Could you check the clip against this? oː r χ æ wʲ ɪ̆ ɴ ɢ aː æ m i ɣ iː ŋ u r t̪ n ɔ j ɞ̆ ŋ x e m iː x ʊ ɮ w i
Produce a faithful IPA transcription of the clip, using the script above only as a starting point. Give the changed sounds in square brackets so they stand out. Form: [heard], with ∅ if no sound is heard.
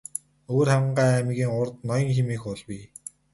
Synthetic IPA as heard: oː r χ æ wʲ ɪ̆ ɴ ɢ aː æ m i ɣ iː ŋ [ʊ] r t̪ n ɔ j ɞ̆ ŋ x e m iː x ʊ ɮ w i